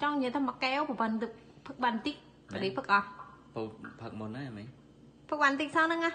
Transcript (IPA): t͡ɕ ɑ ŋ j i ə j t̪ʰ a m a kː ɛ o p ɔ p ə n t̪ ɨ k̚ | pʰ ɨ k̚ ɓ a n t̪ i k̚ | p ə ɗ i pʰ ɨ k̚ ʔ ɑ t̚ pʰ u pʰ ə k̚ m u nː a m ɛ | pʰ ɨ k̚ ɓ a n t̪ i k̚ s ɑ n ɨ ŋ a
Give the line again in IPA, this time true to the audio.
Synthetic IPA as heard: t͡ɕ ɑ ŋ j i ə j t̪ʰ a m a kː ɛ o p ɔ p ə n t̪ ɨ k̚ | pʰ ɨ k̚ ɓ a n t̪ i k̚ | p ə ɗ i pʰ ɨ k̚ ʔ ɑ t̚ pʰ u pʰ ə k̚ m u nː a m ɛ | pʰ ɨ k̚ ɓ a n t̪ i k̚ s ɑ n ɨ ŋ a